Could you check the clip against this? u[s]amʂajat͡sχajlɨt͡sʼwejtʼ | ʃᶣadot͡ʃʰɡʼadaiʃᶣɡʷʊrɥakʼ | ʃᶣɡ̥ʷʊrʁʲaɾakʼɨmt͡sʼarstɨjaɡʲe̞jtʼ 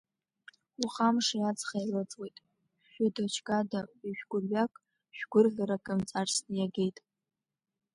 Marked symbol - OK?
no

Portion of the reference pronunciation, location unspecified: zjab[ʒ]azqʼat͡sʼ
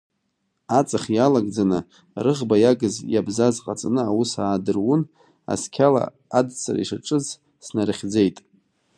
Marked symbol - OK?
no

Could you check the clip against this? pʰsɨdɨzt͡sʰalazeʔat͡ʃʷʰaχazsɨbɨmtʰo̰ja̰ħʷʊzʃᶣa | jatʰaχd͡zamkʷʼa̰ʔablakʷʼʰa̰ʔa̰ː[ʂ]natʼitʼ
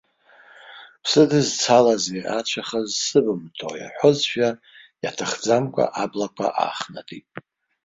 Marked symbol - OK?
no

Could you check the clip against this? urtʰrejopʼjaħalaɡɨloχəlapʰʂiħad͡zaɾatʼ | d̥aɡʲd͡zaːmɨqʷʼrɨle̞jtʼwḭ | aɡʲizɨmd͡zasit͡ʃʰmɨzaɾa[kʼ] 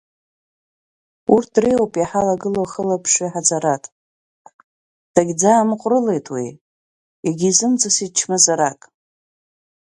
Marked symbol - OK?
yes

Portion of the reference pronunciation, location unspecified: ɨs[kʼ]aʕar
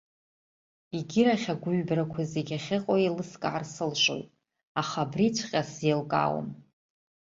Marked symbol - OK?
yes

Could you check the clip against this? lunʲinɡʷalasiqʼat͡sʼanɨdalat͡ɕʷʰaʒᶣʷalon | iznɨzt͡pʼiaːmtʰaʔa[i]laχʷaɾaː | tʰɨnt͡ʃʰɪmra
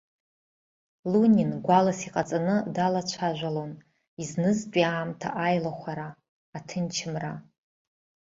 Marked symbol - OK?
no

